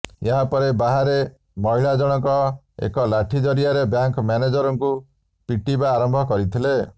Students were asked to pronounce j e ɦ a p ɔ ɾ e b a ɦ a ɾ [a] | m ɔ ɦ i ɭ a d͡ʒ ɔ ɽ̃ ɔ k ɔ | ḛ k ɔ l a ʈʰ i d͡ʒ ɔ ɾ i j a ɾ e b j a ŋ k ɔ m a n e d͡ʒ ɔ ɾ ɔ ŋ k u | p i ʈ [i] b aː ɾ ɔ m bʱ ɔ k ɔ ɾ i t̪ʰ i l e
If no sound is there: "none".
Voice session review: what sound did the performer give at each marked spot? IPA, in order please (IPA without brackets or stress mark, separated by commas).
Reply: e, i